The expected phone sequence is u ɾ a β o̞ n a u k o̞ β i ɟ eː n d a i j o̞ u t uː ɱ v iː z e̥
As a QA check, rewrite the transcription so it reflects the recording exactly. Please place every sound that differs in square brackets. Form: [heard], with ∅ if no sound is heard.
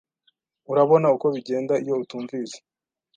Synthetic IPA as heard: u ɾ a β o̞ n a u k o̞ β i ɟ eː n d a i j o̞ u t uː ɱ v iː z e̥